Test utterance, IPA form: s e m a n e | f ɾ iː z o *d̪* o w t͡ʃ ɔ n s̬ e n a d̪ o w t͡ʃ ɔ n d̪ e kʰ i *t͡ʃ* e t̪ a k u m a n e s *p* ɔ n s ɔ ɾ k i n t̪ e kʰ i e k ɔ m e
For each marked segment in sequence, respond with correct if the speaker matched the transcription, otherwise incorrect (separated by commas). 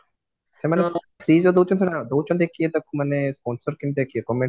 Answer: correct, incorrect, correct